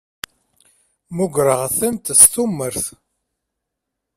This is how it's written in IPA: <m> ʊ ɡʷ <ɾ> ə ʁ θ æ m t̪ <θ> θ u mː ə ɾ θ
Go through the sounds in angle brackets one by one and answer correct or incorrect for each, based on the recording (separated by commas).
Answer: correct, correct, incorrect